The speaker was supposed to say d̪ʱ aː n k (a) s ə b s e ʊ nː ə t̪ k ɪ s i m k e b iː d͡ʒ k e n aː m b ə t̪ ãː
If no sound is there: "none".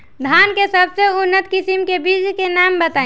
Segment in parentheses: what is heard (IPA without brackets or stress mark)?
e